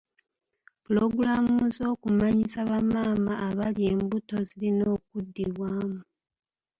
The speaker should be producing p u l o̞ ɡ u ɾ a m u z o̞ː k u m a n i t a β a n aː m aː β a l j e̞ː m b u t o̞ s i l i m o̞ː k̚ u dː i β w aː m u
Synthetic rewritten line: p u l o̞ ɡ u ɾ a m u z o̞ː k u m a ɲ i s a β a m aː m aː β a l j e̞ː m b u t o̞ z i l i n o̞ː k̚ u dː i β w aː m u